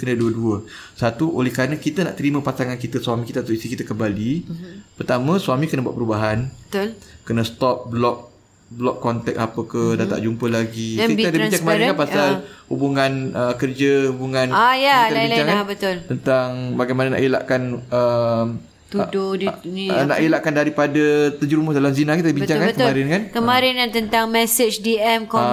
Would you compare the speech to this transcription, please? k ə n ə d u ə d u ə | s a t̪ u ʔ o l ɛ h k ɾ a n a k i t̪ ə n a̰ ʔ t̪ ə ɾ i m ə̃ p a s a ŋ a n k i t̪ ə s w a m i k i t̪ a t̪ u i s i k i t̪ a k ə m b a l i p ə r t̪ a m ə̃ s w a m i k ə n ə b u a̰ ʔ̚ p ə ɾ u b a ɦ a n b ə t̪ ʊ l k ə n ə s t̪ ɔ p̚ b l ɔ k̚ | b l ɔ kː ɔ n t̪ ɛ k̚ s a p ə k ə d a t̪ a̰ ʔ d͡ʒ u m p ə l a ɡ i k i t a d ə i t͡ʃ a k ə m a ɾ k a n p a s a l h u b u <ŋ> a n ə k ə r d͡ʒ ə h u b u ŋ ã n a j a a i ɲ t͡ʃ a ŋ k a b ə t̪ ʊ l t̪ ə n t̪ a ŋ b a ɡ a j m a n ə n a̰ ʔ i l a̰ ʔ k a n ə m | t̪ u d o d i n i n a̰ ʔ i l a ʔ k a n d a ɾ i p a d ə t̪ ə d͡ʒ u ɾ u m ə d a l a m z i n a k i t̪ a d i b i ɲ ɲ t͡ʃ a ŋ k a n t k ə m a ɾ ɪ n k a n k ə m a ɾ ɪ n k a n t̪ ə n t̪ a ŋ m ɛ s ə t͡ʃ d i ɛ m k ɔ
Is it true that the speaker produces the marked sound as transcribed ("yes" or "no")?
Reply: yes